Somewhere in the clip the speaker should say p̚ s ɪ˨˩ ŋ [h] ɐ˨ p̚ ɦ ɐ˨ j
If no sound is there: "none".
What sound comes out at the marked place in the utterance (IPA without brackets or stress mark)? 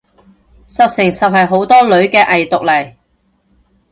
s